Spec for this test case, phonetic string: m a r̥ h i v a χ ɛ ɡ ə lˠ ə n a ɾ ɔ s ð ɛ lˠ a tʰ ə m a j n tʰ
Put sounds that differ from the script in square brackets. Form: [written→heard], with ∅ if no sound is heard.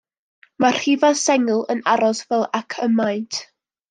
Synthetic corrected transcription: m a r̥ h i v a [χ→s] ɛ [ɡ→ŋ] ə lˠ ə n a ɾ ɔ s [ð→v] ɛ lˠ a [tʰ→kʰ] ə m a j n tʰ